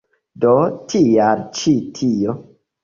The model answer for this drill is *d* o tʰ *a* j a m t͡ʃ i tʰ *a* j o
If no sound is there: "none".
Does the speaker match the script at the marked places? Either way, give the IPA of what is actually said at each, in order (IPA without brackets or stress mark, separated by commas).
d, i, i